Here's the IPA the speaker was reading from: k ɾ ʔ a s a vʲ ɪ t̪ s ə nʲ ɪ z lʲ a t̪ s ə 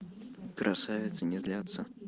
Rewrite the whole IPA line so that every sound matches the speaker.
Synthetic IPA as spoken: k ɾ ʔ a s a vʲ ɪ t̪ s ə nʲ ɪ z lʲ a t̪ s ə